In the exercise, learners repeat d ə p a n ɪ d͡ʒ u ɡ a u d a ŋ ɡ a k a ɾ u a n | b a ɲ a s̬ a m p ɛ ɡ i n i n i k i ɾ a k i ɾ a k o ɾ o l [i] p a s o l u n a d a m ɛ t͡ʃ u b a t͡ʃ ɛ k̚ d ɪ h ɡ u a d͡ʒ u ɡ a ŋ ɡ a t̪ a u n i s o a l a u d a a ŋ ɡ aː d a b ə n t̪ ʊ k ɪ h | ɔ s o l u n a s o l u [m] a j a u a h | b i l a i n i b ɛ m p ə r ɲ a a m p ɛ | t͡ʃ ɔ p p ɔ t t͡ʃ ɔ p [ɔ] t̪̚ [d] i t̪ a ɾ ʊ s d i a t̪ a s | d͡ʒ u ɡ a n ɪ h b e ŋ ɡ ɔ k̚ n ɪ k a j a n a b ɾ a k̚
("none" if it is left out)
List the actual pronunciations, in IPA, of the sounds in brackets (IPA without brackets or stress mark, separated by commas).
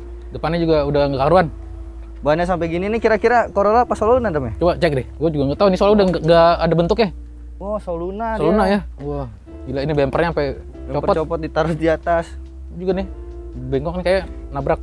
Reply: a, n, ɔ, d